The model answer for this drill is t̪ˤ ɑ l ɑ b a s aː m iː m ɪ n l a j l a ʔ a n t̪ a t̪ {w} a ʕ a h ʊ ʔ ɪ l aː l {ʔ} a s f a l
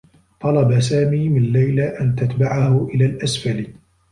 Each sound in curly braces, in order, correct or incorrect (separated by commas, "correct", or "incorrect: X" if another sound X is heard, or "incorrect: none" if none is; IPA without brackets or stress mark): incorrect: b, correct